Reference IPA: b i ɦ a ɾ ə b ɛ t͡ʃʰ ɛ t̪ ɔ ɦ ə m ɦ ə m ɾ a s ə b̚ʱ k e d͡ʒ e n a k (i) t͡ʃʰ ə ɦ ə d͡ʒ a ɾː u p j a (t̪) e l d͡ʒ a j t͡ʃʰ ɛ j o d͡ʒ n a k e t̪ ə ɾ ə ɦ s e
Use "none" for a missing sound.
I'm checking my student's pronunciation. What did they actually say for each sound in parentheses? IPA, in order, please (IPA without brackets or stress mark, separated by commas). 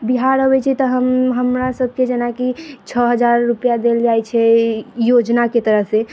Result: i, d̪